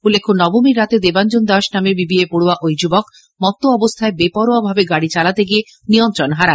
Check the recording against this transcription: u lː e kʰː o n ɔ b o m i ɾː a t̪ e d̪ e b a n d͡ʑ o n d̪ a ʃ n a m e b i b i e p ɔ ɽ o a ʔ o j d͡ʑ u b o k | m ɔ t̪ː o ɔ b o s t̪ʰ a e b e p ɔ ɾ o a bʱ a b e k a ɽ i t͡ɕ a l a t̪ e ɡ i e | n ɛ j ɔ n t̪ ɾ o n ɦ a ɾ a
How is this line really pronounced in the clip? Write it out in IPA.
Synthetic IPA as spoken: u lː e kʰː o n ɔ b o m i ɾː a t̪ e d̪ e b a n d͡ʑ o n d̪ a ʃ n a m e b i b i e p o ɽ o a ʔ o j d͡ʑ u b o k | m ɔ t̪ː o ɔ b o s t̪ʰ a e b e p ɔ ɾ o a bʱ a b e ɡ a ɽ i t͡ɕ a l a t̪ e ɡ i e | n i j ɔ n t̪ ɾ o n ɦ a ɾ a